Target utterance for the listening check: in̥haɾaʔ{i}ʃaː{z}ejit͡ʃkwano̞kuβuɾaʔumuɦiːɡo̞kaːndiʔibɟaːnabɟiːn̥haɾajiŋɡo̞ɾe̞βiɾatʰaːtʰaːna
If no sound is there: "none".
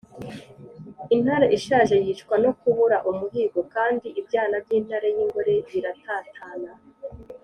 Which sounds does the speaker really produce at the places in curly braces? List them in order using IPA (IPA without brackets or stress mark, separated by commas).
i, ʒ